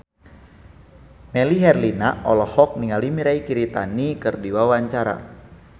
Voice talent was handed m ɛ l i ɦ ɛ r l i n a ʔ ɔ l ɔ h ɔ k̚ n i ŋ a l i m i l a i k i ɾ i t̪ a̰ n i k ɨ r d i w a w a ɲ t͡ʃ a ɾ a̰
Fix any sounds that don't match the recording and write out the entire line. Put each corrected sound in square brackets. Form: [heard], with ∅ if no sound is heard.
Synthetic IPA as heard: m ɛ l i ɦ ɛ r l i n a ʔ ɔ l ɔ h ɔ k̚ n i ŋ a l i m i [ɾ] a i k i ɾ i t̪ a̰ n i k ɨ r d i w a w a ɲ t͡ʃ a ɾ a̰